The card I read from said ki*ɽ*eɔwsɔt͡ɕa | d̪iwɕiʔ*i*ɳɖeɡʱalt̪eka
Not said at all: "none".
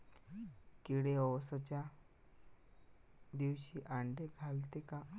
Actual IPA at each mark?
ɽ, a

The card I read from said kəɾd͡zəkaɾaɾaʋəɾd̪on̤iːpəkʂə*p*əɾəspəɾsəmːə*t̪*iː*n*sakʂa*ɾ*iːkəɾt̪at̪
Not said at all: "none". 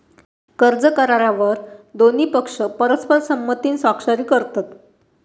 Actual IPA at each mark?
p, t̪, n, ɾ

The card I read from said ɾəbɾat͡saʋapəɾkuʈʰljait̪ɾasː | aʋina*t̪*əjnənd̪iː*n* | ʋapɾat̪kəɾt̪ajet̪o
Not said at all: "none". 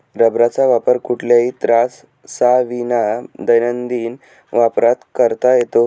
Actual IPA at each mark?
d̪, n

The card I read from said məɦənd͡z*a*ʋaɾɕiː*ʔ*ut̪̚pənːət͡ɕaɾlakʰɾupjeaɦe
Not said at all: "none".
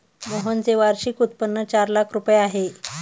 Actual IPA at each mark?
e, k

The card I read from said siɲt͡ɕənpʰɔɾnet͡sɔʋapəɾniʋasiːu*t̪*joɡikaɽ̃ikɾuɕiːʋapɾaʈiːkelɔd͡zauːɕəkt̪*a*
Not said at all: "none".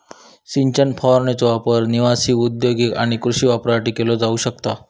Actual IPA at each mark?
d̪, a

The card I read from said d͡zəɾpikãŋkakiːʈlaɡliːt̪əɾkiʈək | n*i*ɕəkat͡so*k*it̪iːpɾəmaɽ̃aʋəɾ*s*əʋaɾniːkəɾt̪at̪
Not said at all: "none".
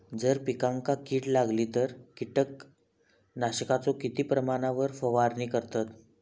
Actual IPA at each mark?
a, k, f

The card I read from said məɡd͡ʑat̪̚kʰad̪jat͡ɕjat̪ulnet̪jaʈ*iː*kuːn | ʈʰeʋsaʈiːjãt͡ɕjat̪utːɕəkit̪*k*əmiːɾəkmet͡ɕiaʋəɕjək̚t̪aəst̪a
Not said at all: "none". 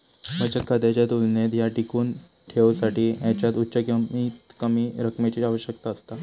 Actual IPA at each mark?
i, k

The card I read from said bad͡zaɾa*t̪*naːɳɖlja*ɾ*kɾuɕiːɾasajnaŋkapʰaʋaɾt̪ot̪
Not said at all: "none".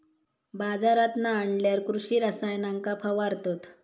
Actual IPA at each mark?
t̪, ɾ

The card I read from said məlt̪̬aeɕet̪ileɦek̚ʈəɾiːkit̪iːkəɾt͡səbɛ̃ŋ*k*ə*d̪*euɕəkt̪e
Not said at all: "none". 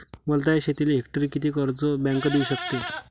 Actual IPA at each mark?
k, d̪

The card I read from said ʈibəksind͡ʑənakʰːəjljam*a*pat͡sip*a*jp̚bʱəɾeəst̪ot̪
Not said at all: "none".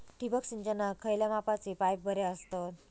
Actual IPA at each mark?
a, a

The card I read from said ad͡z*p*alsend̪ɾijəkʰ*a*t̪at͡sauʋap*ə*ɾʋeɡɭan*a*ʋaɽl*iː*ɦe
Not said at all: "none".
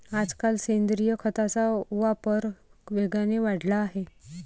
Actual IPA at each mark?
k, ə, ə, e, aː

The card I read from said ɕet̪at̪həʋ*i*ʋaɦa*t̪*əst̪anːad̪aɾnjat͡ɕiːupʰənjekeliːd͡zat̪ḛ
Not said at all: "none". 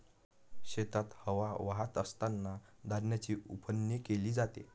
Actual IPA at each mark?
a, t̪

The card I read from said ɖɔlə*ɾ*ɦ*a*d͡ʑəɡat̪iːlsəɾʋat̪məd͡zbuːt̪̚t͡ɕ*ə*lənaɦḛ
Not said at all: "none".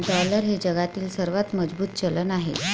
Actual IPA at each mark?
ɾ, e, ə

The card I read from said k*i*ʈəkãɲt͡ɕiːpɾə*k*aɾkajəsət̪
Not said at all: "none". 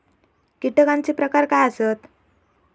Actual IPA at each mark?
i, k

